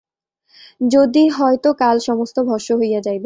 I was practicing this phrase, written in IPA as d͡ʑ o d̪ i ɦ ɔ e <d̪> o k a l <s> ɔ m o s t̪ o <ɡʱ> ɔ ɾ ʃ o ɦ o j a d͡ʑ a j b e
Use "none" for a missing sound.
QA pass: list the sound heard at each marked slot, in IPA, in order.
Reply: t̪, ʃ, bʱ

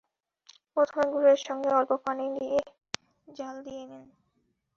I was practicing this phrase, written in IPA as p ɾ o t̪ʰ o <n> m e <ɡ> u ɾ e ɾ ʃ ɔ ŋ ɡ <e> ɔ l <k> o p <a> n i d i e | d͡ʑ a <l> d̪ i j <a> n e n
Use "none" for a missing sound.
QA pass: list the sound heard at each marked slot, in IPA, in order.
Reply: none, ɡ, e, p, a, l, e

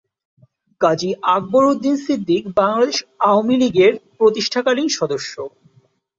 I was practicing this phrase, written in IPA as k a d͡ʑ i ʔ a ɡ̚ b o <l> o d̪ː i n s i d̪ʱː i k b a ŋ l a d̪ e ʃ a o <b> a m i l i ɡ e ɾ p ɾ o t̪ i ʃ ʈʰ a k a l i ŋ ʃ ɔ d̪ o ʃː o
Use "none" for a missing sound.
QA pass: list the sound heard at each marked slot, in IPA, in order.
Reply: ɾ, none

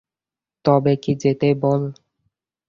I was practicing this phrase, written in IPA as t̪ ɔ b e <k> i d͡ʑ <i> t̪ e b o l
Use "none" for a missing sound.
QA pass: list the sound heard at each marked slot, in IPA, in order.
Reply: k, e

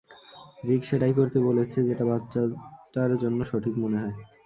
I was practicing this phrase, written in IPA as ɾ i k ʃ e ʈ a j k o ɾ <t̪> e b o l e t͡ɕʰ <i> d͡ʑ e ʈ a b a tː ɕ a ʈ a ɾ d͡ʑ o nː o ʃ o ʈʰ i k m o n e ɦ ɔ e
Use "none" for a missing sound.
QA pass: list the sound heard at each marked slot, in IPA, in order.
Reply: t̪, e

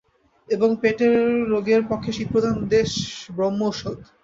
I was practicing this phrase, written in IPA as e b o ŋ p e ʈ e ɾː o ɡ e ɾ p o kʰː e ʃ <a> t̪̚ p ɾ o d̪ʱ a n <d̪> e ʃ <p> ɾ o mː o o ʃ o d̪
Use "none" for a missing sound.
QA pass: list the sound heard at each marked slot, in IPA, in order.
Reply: i, d̪, b

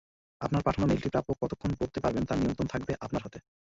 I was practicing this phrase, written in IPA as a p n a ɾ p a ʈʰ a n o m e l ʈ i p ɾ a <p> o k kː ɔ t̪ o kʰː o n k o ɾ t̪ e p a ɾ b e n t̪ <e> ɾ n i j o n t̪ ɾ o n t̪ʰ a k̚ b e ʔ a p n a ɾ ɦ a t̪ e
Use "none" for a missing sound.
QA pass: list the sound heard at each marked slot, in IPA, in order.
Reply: p, a

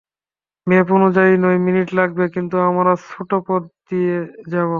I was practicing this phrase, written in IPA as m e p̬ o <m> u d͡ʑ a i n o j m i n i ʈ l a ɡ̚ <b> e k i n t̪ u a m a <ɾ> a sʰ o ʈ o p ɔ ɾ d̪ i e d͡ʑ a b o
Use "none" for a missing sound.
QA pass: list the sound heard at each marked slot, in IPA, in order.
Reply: n, b, ɾ

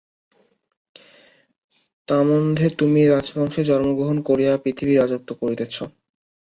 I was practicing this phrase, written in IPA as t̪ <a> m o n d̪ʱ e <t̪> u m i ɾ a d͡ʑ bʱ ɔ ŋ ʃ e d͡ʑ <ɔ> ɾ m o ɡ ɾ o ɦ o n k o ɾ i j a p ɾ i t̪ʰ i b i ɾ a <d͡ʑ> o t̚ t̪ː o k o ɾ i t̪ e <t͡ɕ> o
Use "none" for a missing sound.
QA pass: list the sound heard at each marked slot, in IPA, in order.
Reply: a, t̪, ɔ, d͡ʑ, t͡ɕʰ

